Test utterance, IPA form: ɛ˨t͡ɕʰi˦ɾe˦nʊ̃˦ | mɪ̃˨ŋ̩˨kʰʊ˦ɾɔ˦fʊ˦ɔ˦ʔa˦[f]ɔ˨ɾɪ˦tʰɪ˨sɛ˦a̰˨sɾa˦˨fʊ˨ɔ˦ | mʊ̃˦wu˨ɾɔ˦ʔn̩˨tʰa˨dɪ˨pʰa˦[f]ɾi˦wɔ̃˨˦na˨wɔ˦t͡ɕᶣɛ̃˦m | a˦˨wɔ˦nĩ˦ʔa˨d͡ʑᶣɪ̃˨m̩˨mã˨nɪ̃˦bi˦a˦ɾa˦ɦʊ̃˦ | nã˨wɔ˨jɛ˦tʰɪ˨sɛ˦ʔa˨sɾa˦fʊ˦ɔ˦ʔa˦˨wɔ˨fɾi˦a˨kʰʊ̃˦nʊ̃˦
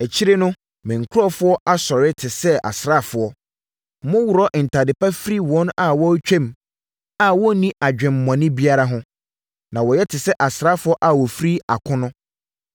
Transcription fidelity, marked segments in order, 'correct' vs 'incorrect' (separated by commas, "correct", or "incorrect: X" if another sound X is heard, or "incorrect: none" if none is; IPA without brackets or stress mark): incorrect: s, correct